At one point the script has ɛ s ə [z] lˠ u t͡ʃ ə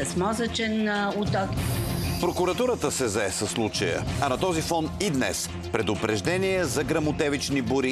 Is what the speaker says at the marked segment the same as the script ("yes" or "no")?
no